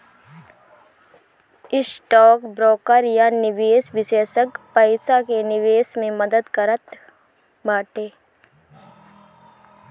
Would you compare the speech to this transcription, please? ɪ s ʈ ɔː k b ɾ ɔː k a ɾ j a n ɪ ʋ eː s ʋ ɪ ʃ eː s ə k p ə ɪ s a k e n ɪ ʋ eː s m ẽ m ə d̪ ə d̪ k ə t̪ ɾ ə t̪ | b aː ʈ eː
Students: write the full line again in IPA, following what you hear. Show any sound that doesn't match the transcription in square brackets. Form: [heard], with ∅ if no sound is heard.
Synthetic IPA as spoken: ɪ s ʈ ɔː k b ɾ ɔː k [ə] ɾ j a n ɪ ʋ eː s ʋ ɪ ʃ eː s ə k p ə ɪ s a k e n ɪ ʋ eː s m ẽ m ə d̪ ə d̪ k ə [∅] ɾ ə t̪ | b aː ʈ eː